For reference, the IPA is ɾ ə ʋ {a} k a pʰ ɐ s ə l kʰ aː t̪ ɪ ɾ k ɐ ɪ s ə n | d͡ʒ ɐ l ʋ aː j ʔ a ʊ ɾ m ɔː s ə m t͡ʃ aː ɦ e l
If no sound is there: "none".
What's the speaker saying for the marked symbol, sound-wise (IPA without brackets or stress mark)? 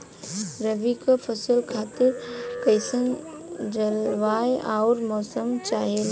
i